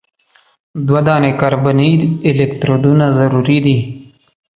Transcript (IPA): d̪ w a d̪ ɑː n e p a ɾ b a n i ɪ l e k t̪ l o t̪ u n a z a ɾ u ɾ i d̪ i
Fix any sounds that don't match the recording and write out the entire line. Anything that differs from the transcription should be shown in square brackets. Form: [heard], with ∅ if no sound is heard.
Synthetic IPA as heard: d̪ w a d̪ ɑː n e [k] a ɾ b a n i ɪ l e k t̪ [ɾ] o [d̪] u n a z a ɾ u ɾ i d̪ i